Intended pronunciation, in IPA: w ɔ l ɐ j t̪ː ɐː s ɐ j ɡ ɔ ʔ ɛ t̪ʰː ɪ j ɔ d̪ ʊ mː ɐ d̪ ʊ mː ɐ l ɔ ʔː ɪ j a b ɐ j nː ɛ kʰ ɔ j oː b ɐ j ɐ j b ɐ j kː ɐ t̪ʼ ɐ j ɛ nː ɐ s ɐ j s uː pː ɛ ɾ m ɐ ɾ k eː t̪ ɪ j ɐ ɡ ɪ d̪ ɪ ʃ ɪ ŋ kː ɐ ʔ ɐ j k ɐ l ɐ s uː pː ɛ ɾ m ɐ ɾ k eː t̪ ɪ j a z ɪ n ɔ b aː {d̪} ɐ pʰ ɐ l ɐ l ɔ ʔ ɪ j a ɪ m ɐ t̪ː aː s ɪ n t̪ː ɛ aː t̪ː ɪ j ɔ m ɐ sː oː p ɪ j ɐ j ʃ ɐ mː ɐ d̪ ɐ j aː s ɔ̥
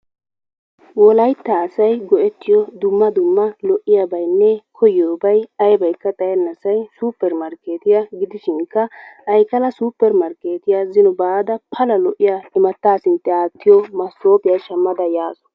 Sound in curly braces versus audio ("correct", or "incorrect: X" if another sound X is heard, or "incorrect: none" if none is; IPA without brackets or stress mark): correct